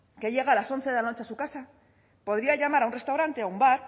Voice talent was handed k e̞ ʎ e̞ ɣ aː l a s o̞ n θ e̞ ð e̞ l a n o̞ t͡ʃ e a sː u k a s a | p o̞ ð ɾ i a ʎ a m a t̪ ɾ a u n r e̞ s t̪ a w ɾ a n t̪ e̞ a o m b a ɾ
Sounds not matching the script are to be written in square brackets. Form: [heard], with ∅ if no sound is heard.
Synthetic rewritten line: k e̞ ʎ e̞ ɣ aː l a s o̞ n θ e̞ ð e̞ l a n o̞ t͡ʃ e a [s] u k a s a | p o̞ ð ɾ i a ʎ a m a [∅] ɾ a u n r e̞ s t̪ a w ɾ a n t̪ e̞ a [u] m b a ɾ